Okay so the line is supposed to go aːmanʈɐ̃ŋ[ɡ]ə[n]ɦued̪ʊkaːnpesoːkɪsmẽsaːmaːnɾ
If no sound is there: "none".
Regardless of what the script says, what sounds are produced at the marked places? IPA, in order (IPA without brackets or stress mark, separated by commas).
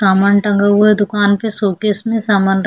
ɡ, none